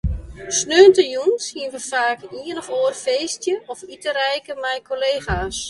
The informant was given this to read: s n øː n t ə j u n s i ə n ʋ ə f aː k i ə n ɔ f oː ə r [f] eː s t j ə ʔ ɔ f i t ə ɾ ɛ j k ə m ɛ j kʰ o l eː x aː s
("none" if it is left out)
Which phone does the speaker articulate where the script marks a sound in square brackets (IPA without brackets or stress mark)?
f